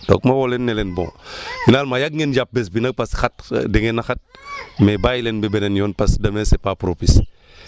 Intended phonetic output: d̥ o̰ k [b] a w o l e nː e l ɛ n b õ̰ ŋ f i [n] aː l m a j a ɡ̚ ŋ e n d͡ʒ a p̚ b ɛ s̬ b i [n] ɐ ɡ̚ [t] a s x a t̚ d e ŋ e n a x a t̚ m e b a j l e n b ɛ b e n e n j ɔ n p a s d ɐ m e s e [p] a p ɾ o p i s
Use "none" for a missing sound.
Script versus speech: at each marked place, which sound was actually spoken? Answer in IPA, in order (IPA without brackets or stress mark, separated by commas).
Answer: m, n, n, p, p